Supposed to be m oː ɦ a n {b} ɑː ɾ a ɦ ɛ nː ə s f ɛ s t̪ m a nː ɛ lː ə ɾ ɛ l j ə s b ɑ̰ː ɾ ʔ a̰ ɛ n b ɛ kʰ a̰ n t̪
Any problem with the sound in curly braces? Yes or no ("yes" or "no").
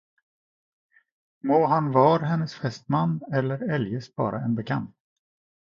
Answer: yes